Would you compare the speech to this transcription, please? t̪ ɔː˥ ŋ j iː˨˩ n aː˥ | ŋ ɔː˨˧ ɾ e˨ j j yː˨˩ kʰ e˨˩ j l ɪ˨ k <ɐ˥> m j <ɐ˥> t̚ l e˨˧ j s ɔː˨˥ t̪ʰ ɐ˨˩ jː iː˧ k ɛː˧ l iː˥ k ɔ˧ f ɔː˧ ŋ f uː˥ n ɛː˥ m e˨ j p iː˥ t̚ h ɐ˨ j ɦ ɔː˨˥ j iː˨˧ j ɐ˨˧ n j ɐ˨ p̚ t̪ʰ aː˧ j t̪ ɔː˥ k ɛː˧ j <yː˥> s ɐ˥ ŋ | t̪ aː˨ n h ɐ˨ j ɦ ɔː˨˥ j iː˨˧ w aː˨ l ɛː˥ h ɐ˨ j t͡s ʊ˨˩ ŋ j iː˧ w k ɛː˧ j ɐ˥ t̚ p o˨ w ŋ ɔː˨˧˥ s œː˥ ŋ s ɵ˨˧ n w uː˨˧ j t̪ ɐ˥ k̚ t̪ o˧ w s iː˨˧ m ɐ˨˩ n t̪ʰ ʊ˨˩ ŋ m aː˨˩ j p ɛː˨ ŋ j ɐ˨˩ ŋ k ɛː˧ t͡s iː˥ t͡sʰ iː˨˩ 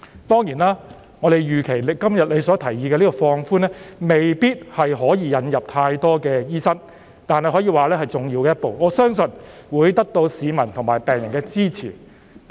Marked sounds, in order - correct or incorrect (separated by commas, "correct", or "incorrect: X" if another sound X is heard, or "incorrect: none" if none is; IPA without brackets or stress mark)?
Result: correct, incorrect: ɐ˨, incorrect: iː˥